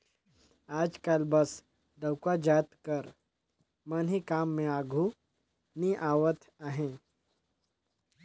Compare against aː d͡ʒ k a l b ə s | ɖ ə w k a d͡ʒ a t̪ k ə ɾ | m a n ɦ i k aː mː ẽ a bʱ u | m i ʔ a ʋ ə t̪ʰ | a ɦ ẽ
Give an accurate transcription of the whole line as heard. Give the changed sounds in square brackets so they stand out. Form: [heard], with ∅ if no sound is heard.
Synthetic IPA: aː d͡ʒ k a l b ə s | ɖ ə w k a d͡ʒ a t̪ k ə ɾ | m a n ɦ i k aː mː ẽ a [ɡʱ] u | [n] i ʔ a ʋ ə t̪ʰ | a ɦ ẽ